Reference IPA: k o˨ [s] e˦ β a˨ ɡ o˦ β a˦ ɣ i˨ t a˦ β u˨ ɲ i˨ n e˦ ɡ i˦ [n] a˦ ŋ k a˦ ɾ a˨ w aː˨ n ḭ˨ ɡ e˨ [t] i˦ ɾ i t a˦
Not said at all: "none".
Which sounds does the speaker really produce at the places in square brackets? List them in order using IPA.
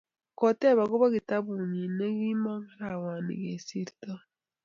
t, m, s

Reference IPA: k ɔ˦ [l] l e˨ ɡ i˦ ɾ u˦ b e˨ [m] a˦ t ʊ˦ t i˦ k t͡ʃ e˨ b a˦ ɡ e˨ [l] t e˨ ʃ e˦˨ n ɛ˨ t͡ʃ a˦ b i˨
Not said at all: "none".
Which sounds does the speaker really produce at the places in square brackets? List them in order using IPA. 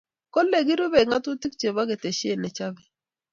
l, ŋ, none

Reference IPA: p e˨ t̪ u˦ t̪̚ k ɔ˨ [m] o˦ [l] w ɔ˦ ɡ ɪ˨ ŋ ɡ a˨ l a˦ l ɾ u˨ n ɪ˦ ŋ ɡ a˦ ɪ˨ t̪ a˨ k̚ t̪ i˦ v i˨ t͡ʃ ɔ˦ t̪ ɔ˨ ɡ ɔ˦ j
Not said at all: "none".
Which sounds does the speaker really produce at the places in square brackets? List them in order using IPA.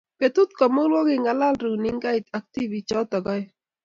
m, l

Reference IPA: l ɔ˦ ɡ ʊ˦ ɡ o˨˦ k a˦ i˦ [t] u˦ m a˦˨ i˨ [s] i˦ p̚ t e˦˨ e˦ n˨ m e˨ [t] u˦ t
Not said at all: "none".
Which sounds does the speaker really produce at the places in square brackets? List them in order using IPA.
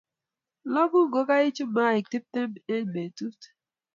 t͡ʃ, t, t

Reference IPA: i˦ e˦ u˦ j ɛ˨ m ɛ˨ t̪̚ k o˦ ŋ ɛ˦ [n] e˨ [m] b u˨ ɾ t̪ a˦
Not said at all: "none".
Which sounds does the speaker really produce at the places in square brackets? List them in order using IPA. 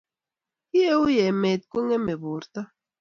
m, none

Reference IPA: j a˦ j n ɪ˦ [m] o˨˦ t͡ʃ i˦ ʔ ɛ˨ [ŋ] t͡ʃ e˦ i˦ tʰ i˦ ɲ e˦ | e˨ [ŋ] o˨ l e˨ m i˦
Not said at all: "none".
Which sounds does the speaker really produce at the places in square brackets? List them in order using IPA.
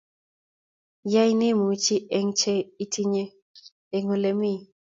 m, ŋ, ŋ

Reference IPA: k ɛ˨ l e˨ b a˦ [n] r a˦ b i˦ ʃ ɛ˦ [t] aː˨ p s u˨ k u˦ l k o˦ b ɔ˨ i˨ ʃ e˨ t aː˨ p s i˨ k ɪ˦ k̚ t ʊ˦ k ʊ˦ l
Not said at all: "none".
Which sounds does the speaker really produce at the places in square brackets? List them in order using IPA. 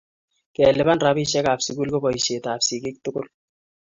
n, k

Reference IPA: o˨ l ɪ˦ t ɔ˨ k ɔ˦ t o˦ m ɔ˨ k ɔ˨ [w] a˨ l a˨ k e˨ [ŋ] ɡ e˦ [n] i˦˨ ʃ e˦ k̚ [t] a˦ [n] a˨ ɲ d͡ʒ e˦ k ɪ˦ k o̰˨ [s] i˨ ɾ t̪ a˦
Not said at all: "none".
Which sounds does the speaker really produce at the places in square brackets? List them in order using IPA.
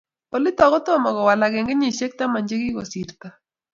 w, ŋ, ɲ, t, m, s

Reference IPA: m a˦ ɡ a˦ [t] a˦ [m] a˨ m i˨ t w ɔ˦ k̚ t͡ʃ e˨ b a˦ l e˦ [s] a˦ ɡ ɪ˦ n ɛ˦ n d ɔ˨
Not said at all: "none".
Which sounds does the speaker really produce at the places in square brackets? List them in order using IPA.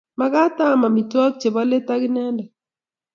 t, m, t

